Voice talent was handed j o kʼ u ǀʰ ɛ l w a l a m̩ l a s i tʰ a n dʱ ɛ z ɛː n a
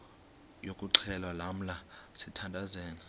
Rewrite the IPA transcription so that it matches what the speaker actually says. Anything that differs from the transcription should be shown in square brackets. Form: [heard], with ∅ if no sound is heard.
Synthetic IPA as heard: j o kʼ u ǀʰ ɛ l w a l a m̩ l a s i tʰ a n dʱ [a] z ɛː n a